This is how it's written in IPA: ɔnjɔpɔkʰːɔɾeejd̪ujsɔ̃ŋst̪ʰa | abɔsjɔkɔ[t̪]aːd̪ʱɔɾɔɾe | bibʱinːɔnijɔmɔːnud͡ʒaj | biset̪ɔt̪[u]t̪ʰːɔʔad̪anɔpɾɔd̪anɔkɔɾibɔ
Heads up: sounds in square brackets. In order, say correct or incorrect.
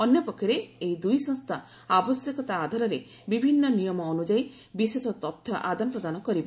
correct, incorrect: ɔ

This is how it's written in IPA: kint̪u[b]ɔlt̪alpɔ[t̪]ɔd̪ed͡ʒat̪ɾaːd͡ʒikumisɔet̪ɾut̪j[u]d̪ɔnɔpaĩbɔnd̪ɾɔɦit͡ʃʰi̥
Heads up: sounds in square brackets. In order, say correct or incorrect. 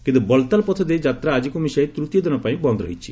correct, incorrect: t̪ʰ, incorrect: ɔ

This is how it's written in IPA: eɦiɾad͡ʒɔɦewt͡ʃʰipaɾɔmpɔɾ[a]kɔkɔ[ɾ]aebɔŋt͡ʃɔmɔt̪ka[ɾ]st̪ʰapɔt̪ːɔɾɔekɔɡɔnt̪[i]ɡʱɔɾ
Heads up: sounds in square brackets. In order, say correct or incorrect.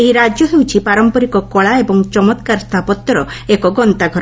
incorrect: i, incorrect: ɭ, correct, incorrect: a

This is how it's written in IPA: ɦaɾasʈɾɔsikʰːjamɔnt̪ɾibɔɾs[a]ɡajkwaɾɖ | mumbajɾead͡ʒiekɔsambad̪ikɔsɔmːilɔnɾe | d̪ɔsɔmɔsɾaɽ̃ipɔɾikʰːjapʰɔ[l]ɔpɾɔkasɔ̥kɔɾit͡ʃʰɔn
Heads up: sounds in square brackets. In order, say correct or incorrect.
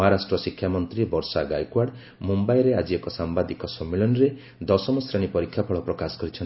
correct, incorrect: ɭ

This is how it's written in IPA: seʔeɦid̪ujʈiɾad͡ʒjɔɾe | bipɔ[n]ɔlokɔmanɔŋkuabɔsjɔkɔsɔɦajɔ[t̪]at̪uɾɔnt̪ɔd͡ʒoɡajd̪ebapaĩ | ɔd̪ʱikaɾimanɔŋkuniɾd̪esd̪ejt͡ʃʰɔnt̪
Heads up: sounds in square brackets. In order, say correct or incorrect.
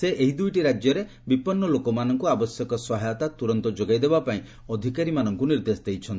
incorrect: nː, correct

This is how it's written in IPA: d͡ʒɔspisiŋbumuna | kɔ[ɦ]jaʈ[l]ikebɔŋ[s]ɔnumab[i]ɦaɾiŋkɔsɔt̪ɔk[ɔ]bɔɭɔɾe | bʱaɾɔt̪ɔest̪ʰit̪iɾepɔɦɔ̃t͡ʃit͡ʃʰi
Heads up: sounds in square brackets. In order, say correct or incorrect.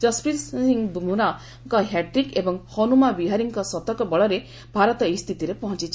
correct, incorrect: ɾ, incorrect: h, correct, correct

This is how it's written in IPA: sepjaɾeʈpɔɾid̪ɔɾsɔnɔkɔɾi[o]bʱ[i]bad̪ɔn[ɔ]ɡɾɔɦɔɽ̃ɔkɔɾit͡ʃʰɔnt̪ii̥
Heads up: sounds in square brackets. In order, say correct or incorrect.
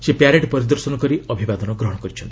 incorrect: ɔ, correct, correct

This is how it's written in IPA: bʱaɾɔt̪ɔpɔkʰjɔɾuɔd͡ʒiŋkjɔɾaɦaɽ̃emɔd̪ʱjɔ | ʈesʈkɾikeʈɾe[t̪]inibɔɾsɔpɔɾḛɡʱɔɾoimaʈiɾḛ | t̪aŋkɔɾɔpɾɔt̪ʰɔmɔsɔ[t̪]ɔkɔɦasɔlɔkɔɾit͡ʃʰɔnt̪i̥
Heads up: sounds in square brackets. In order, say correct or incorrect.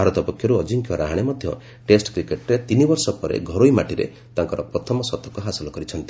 correct, correct

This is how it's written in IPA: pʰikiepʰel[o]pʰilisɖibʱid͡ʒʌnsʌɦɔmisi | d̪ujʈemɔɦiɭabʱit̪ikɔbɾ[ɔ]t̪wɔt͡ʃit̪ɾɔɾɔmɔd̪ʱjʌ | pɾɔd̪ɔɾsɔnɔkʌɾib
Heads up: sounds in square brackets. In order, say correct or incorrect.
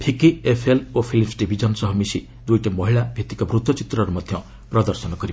correct, incorrect: u

